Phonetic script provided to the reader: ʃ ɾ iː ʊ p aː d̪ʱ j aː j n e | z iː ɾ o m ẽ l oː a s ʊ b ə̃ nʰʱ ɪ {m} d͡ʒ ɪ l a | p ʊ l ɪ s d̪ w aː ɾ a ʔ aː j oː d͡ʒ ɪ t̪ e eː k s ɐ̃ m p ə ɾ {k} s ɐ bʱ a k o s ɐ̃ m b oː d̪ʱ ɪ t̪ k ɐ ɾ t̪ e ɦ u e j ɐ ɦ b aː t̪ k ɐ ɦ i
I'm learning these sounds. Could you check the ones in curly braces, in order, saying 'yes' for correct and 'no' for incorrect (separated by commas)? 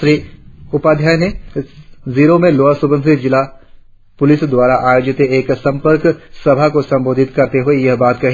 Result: no, yes